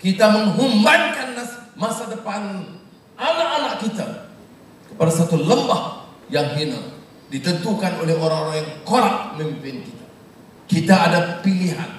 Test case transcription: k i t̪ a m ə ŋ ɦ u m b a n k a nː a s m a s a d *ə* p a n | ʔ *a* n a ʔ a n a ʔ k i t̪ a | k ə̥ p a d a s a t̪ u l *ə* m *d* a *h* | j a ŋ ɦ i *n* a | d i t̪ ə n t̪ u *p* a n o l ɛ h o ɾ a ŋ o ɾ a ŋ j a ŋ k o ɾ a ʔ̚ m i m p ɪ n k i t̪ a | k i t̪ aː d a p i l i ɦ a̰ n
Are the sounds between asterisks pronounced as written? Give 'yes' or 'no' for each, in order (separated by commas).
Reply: yes, yes, yes, no, yes, yes, no